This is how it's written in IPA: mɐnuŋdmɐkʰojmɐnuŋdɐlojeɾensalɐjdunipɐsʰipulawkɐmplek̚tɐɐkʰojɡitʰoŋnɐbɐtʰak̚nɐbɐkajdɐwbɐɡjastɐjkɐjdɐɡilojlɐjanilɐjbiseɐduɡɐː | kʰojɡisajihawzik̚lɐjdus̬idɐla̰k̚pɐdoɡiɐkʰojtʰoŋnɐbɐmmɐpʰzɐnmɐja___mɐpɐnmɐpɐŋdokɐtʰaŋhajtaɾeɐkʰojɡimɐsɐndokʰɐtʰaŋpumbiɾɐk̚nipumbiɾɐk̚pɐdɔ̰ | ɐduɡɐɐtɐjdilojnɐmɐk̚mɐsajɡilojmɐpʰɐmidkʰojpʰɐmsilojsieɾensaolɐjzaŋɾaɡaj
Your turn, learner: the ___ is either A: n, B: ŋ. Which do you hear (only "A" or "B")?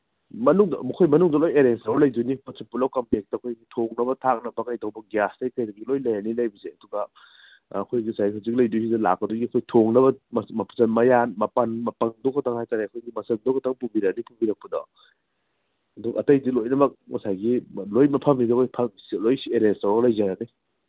A